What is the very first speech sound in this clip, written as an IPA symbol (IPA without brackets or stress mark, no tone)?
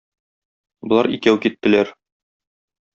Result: b